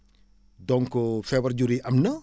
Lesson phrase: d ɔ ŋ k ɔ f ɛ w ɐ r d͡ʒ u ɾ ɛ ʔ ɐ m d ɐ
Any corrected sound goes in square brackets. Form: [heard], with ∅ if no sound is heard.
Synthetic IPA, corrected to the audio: d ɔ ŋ k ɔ f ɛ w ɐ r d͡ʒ u ɾ [i] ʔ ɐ m [n] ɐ